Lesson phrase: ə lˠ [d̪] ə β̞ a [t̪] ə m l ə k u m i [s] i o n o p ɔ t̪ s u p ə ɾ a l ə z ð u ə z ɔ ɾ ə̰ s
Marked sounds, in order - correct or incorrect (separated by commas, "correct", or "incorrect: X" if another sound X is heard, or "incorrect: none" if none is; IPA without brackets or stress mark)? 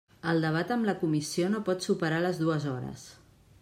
correct, correct, correct